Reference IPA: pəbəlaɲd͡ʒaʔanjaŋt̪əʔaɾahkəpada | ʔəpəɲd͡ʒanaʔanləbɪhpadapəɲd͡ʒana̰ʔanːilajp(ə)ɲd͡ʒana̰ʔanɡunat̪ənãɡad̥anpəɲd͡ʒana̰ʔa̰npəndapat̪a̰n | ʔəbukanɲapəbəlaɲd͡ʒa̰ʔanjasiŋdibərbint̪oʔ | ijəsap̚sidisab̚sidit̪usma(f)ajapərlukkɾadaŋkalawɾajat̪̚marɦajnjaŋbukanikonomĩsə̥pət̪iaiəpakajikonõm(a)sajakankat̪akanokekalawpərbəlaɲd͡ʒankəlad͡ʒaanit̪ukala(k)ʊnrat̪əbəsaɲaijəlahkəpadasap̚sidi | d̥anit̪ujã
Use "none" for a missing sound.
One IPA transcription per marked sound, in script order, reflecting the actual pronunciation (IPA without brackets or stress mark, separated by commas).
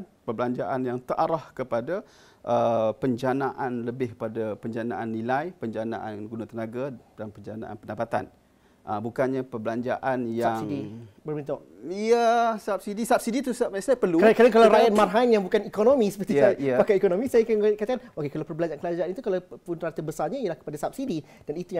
ə, s, i, p